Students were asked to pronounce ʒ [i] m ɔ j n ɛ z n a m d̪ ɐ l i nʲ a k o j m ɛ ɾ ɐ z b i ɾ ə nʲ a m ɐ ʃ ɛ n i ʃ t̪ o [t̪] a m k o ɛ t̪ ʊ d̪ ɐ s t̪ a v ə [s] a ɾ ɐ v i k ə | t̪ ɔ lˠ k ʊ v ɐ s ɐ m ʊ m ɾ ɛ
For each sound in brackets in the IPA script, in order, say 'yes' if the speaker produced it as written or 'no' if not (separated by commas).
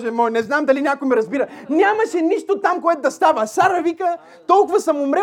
no, yes, yes